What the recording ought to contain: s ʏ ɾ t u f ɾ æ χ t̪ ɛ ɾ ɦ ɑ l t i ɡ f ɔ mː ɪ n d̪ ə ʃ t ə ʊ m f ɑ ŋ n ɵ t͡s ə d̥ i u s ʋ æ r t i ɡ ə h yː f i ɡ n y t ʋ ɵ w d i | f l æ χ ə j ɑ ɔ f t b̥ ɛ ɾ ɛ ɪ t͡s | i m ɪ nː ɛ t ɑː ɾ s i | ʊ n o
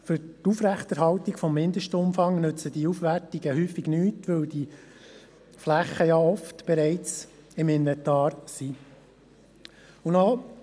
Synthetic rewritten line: f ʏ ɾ t u f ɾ æ χ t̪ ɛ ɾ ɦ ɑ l t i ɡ f ɔ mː ɪ n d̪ ə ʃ t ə ʊ m f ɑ ŋ n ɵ t͡s ə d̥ i u f ʋ æ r t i ɡ ə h yː f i ɡ n yː t ʋ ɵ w d i | f l æ χ ə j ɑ ɔ f t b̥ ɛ ɾ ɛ ɪ t͡s | ɪ m ɪ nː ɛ t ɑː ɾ s i | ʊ n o